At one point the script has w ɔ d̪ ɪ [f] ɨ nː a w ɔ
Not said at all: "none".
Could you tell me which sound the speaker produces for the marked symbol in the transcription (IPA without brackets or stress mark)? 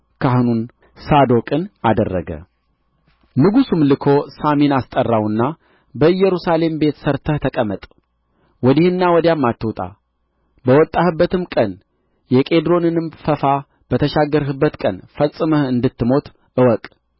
h